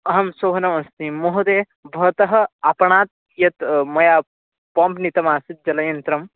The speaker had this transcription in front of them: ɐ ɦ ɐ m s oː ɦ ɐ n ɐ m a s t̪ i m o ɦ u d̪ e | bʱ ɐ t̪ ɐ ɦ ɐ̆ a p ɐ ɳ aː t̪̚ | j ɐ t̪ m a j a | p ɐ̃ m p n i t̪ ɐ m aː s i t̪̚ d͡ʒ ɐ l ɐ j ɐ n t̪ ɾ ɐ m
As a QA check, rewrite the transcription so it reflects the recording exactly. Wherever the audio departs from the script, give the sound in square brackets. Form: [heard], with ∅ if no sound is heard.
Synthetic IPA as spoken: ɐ ɦ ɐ m s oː ɦ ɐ n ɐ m [ɐ] s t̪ i m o ɦ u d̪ e | bʱ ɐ t̪ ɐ ɦ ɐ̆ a p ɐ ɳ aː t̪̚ | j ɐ t̪ m [ɐ] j a | p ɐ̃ m p n i t̪ ɐ m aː s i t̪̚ d͡ʒ ɐ l ɐ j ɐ n t̪ ɾ ɐ m